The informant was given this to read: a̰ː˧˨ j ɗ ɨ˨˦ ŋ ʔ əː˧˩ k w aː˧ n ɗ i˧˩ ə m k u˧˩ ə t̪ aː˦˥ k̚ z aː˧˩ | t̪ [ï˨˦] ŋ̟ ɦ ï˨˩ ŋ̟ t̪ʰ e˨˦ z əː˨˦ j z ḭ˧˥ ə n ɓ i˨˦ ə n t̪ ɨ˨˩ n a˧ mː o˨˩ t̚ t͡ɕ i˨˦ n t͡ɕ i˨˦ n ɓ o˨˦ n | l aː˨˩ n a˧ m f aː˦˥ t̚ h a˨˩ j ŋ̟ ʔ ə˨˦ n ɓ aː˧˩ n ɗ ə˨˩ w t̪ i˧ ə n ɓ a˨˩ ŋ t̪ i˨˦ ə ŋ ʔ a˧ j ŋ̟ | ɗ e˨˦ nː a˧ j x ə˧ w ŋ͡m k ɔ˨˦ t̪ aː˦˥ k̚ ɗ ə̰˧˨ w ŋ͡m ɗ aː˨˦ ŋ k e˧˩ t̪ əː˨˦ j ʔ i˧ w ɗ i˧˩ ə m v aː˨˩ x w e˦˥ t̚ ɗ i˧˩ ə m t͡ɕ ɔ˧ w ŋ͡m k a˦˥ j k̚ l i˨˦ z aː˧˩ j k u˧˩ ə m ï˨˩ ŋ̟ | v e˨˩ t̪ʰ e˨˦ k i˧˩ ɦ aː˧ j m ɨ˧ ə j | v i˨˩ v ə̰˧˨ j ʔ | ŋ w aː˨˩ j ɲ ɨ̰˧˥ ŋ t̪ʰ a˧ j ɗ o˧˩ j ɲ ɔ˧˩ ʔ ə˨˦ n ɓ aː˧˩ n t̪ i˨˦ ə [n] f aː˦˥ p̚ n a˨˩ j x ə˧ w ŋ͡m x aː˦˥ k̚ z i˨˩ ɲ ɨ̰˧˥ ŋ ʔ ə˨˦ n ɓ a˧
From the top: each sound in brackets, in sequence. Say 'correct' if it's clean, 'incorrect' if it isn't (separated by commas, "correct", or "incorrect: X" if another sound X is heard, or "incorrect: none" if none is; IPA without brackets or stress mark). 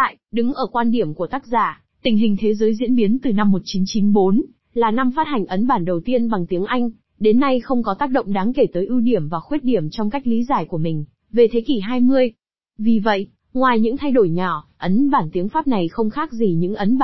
incorrect: ï˧˩, incorrect: ŋ